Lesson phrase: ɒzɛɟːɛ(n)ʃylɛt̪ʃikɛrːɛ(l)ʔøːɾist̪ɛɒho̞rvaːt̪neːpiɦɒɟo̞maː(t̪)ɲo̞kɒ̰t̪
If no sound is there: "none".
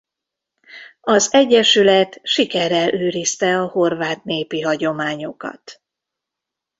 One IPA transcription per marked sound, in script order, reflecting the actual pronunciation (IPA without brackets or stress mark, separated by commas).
none, l, none